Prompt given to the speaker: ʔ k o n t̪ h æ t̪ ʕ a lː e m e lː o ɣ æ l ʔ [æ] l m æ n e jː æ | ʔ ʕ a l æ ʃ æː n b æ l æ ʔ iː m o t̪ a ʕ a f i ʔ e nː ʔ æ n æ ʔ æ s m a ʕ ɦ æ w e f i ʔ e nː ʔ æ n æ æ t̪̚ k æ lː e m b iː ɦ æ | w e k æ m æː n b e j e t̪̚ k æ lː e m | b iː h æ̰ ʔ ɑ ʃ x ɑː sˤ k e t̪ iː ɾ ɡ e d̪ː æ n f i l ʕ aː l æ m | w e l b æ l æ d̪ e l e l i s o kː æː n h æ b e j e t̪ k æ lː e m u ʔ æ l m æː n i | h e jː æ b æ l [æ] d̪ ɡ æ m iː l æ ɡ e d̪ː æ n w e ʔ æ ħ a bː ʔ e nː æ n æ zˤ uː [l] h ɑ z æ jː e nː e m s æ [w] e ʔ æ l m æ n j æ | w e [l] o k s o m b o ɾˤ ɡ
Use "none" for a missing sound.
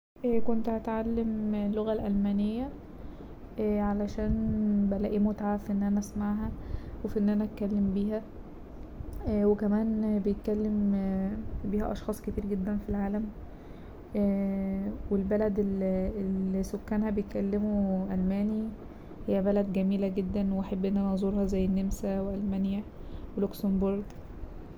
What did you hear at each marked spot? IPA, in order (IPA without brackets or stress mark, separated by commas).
æ, æ, ɾ, w, l